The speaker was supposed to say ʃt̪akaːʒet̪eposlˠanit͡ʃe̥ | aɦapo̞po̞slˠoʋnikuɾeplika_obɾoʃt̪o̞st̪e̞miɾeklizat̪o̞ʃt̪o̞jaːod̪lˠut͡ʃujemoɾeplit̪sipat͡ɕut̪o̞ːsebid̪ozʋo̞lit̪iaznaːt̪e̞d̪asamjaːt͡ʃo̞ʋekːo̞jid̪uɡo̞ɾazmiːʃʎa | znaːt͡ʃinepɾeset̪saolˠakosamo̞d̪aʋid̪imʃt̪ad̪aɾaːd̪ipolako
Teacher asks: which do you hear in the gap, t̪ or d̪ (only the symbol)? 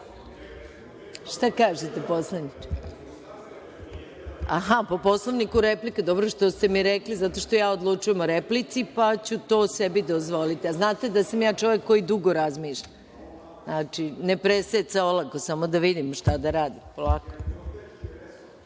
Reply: d̪